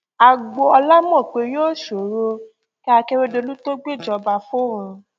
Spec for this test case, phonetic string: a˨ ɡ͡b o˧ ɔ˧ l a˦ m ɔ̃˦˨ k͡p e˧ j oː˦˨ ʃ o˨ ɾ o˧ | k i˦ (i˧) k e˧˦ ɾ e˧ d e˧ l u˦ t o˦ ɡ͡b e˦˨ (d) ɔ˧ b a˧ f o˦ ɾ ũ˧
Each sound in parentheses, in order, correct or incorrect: incorrect: a˧, incorrect: d͡ʒ

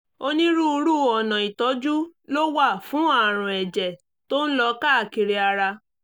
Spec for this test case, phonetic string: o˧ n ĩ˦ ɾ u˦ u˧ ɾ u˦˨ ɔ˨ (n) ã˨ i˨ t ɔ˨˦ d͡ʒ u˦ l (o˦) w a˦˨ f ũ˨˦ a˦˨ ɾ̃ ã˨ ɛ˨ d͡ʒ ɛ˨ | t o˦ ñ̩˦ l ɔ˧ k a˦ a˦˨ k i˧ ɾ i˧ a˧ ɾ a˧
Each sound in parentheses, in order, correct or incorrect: correct, correct

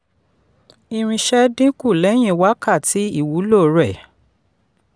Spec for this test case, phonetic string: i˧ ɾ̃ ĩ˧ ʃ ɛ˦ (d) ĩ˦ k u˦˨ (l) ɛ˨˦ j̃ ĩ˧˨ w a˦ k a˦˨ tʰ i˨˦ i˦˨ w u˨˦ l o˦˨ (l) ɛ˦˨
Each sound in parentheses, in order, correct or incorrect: correct, correct, incorrect: ɾ

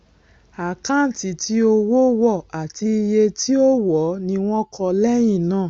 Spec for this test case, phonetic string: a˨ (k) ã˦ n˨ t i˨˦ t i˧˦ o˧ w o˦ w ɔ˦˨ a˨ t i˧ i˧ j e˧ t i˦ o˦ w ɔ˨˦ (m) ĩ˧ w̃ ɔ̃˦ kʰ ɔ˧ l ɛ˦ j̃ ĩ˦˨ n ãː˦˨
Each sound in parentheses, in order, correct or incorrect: correct, incorrect: n

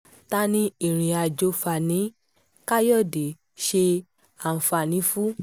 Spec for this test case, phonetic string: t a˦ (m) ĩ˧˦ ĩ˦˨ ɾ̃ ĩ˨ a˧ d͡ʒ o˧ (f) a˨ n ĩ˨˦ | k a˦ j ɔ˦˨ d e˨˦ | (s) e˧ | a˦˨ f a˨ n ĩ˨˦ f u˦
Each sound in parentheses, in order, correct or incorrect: incorrect: n, correct, incorrect: ʃ

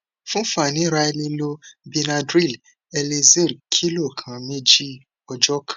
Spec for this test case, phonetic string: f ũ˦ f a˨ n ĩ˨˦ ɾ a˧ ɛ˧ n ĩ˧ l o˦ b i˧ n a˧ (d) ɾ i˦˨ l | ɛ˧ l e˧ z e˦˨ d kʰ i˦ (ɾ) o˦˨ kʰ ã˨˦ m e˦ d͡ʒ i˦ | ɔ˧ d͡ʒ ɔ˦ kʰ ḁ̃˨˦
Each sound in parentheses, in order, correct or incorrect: correct, incorrect: l

